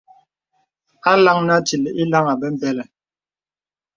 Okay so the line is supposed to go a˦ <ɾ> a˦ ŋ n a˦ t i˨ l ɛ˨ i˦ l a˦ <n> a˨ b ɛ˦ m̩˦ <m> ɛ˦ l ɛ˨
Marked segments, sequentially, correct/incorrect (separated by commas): incorrect, incorrect, incorrect